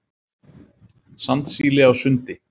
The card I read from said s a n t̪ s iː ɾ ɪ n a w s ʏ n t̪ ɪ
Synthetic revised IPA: s a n t̪ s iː l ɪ a w s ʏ n t̪ ɪ